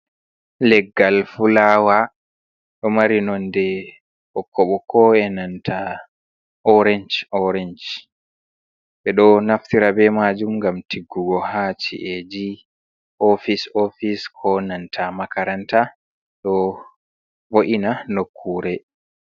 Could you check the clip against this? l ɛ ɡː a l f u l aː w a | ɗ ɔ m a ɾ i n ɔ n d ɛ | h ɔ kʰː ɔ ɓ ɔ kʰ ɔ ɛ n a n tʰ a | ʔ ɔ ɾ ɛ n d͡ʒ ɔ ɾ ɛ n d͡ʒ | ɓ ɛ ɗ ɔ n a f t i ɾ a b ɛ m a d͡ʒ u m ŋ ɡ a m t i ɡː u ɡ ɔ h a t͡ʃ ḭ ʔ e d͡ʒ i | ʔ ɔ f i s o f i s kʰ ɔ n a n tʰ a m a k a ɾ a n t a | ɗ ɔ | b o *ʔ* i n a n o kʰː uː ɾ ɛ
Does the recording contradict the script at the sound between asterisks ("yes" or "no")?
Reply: no